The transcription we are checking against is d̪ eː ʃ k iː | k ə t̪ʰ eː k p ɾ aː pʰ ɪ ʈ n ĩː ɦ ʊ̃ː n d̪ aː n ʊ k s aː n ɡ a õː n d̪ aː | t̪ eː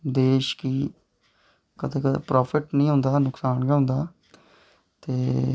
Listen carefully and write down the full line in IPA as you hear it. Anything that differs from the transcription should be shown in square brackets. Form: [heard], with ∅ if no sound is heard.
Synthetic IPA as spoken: d̪ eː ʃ k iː | k ə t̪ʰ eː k p ɾ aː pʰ ɪ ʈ n ĩː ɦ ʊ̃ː n d̪ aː n ʊ k s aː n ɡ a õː n d̪ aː | t̪ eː